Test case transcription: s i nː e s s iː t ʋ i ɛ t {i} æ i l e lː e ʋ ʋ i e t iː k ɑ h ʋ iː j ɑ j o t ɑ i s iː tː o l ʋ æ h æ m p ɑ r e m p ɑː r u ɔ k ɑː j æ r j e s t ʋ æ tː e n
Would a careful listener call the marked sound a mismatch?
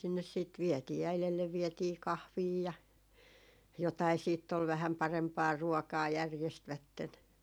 yes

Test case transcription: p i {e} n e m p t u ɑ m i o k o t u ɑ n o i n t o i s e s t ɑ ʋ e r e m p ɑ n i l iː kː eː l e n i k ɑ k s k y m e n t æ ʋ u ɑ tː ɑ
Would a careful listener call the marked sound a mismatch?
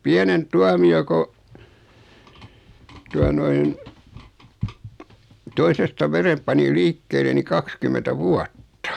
yes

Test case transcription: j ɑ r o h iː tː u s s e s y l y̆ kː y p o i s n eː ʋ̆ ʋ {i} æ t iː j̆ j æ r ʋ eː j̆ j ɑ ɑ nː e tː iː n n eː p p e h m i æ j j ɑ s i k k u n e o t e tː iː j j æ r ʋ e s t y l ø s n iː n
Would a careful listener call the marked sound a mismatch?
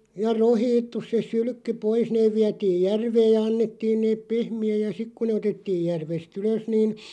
no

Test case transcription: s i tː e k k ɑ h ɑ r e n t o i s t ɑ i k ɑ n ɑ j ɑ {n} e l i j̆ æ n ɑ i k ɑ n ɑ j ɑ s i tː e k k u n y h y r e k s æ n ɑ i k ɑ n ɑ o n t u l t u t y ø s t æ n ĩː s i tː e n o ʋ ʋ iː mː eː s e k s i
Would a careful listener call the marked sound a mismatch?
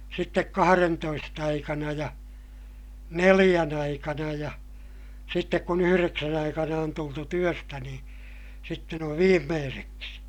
no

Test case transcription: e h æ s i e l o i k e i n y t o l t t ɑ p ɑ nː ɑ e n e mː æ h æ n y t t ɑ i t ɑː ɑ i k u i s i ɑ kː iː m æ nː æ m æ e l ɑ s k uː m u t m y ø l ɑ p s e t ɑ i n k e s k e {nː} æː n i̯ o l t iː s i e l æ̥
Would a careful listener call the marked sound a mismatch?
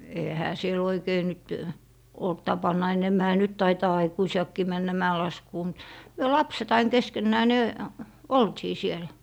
no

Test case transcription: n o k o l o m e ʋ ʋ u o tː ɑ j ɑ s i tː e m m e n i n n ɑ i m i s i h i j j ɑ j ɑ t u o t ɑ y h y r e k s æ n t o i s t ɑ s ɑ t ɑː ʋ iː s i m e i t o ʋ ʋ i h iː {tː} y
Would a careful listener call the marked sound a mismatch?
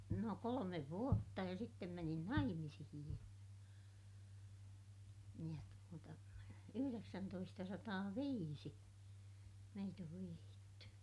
no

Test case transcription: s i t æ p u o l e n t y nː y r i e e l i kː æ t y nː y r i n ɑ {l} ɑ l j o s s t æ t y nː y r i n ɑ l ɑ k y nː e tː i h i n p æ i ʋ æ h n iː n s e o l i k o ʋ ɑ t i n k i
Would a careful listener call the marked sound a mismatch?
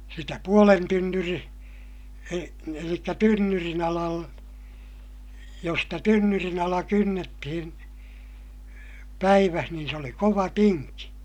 no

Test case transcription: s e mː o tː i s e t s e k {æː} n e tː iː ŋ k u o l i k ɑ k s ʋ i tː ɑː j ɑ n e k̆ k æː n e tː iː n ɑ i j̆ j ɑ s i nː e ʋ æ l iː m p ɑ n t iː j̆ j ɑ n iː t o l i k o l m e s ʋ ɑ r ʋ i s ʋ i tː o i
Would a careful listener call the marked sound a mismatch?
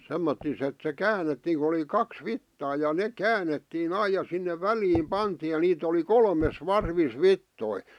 no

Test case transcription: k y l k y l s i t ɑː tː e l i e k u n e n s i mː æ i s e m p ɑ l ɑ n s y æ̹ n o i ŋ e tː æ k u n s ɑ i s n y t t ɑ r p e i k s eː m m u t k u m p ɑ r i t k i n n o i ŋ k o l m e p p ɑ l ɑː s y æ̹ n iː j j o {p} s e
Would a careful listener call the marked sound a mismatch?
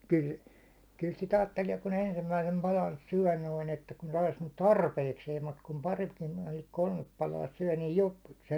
no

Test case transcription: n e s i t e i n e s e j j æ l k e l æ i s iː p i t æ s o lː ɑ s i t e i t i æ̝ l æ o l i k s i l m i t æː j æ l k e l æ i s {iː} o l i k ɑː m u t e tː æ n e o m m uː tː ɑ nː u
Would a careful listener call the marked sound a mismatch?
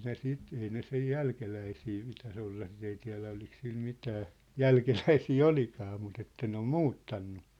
no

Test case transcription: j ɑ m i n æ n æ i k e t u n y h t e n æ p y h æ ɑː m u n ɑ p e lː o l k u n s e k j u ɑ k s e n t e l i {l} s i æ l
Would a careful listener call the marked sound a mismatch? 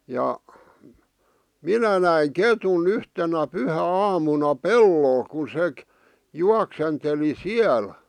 yes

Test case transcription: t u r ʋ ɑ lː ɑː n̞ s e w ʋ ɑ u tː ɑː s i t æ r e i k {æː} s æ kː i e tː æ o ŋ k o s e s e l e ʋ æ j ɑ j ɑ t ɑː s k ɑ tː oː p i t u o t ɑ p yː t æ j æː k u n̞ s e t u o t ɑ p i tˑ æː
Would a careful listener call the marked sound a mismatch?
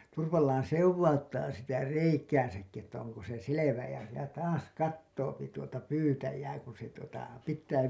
no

